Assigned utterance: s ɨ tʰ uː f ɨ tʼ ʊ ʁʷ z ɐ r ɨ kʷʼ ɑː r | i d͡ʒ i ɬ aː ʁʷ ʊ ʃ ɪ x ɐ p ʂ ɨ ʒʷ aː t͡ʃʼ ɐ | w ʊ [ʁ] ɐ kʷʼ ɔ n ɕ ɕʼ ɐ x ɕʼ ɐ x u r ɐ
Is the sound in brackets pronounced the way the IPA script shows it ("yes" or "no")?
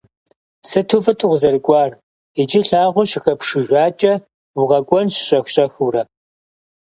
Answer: yes